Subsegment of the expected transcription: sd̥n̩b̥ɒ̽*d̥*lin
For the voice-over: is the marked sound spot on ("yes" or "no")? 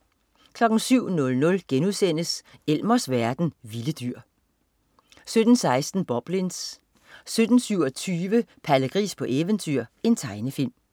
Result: no